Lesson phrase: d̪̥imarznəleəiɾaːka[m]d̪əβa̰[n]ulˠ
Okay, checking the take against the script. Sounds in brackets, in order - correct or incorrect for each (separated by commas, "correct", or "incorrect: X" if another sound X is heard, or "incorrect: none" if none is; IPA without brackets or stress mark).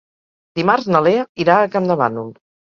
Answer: correct, correct